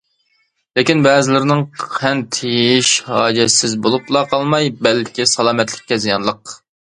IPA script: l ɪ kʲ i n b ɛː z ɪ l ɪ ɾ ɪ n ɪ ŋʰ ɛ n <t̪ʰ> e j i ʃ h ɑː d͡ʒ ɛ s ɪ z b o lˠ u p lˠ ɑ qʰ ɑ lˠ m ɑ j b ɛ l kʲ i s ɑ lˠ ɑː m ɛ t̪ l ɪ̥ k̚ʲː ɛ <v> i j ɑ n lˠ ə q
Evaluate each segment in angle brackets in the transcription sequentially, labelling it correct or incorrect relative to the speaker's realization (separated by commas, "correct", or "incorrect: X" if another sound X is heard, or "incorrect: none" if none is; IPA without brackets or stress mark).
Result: correct, incorrect: z